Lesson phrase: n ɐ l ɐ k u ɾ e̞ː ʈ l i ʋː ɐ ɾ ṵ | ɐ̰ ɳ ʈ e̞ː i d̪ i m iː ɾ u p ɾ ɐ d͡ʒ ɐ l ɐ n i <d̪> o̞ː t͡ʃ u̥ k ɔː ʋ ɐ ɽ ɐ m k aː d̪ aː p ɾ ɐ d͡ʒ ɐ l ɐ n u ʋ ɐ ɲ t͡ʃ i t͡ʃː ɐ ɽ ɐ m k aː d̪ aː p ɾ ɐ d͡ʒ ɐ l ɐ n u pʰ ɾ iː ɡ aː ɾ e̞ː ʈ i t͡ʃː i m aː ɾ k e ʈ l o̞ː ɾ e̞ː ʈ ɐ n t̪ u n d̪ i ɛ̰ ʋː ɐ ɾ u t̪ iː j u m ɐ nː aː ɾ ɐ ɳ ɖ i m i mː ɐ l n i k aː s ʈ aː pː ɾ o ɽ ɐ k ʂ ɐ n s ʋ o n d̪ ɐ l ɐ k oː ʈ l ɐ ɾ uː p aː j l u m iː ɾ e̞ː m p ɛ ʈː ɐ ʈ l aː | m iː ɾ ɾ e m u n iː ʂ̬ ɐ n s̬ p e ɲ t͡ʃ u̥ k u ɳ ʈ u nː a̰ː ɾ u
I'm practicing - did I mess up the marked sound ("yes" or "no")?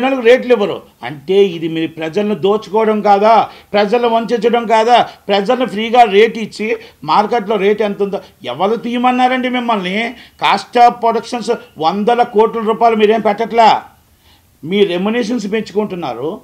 no